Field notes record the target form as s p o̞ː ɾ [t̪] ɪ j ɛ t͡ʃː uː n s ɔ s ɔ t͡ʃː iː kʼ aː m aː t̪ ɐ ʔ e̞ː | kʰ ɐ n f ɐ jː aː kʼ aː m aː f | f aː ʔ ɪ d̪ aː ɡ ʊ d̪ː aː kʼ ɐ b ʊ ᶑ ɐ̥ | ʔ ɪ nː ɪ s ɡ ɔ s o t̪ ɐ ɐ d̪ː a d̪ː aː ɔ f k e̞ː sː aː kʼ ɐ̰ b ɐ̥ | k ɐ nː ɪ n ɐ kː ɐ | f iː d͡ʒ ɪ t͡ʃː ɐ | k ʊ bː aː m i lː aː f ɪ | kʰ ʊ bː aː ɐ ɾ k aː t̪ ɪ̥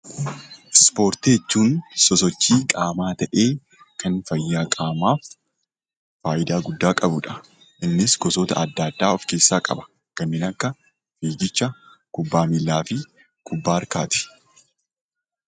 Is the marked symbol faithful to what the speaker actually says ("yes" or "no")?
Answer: yes